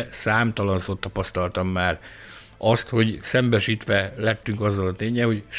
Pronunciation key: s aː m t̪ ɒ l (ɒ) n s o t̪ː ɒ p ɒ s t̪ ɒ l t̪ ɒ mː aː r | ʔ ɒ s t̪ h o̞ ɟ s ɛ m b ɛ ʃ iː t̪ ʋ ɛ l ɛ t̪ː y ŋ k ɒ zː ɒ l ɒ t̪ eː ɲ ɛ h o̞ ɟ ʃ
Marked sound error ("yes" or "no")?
no